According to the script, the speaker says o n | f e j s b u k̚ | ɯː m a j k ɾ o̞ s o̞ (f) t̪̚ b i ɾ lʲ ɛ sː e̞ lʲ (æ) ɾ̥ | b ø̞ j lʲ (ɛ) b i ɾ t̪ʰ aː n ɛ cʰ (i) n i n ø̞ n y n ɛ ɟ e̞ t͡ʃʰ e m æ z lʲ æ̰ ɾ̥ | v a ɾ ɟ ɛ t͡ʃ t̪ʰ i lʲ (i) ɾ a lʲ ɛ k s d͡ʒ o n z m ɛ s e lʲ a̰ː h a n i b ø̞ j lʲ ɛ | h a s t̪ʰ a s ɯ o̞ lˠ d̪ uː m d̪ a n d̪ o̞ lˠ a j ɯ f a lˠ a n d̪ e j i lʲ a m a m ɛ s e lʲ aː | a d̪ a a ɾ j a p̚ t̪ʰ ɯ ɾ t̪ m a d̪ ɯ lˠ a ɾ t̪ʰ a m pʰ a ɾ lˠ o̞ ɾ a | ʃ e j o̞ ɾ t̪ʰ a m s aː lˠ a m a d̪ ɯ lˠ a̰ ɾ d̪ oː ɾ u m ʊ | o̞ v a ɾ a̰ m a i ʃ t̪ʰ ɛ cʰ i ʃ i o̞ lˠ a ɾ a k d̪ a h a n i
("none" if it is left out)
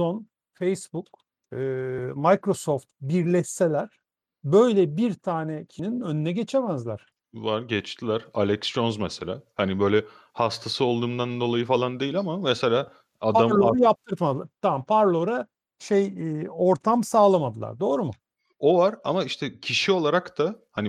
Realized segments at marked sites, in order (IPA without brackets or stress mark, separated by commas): f, æ, ɛ, i, æ